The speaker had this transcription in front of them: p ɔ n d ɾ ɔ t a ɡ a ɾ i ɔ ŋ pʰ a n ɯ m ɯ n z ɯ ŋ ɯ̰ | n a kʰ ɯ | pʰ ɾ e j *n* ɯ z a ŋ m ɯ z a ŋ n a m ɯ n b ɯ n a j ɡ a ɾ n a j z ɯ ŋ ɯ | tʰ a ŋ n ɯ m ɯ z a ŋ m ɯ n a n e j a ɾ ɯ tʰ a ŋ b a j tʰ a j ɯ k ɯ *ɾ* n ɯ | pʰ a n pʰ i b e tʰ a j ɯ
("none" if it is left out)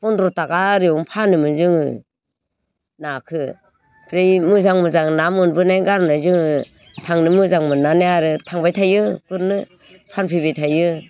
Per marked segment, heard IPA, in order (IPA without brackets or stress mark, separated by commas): m, ɾ